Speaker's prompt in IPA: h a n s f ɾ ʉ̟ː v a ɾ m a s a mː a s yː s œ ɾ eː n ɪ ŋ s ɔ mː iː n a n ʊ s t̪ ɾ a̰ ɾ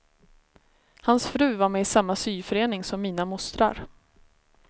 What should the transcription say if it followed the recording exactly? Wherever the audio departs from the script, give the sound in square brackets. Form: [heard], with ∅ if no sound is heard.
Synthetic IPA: h a n s f ɾ ʉ̟ː v a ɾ m [ɛ] s a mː a s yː [f] œ ɾ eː n ɪ ŋ s ɔ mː iː n a [m] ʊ s t̪ ɾ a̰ ɾ